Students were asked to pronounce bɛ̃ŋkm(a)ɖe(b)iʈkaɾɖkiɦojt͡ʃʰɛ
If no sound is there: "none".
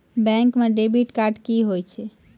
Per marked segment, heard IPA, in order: e, b

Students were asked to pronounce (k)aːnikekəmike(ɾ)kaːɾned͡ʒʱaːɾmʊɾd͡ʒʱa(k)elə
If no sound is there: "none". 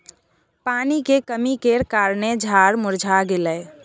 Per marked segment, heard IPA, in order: p, ɾ, ɡ

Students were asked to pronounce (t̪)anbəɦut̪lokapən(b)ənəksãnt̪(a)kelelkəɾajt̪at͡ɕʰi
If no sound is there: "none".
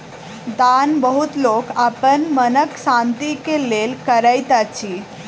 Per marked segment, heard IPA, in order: d̪, m, i

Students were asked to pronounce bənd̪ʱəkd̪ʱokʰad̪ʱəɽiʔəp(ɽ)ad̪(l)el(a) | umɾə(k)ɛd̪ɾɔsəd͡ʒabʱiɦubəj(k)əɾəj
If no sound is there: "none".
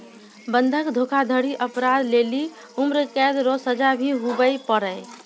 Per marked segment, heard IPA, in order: ɾ, l, i, k, p

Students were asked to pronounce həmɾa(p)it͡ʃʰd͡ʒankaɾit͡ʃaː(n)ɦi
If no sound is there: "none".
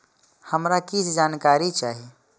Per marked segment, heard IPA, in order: k, none

